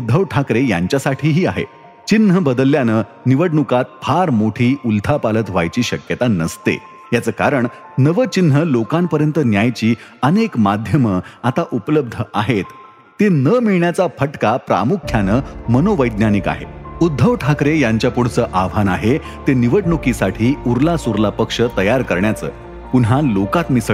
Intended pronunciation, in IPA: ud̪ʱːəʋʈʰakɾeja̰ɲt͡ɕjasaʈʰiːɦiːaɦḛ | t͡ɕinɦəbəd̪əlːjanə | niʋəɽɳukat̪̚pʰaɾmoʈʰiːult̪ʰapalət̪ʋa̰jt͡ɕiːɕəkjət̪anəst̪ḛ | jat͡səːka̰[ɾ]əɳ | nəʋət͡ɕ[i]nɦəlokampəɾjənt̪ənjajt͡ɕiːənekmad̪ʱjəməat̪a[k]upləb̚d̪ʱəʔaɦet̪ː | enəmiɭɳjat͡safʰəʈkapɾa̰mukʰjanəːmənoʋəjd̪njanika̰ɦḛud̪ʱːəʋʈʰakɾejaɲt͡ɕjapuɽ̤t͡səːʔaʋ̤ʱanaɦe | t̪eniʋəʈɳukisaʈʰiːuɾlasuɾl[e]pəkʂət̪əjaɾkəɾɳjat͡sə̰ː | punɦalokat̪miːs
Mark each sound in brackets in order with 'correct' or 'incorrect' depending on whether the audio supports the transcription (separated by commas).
correct, correct, incorrect, incorrect